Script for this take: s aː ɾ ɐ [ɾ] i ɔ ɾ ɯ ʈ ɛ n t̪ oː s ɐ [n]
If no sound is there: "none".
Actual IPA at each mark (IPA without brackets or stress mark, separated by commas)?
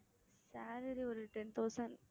ɾ, n